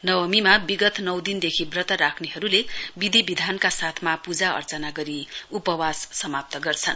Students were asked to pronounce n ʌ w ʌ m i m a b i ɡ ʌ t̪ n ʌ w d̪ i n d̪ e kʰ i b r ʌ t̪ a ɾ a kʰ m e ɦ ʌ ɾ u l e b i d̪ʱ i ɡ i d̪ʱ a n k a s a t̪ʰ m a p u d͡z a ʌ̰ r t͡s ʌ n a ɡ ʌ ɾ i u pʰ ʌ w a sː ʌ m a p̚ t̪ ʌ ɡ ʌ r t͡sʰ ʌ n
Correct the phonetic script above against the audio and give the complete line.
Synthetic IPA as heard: n ʌ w ʌ m i m a b i ɡ ʌ t̪ n ʌ w d̪ i n d̪ e kʰ i b r ʌ t̪ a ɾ a kʰ n e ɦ ʌ ɾ u l e b i d̪ʱ i b i d̪ʱ a n k a s a t̪ʰ m a p u d͡z a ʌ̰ r t͡s ʌ n a ɡ ʌ ɾ i u p ʌ w a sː ʌ m a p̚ t̪ ʌ ɡ ʌ r t͡sʰ ʌ n